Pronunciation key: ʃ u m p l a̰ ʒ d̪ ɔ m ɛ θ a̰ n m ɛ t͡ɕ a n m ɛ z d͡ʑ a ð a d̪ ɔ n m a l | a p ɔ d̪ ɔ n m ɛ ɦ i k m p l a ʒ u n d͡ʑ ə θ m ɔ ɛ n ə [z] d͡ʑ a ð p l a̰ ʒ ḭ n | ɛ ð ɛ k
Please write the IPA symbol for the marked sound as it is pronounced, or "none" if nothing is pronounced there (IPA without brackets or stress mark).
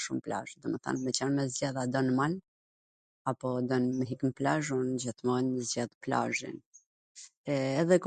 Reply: z